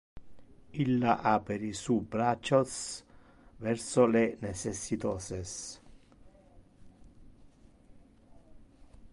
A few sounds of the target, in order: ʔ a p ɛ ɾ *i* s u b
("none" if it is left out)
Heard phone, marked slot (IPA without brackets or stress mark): i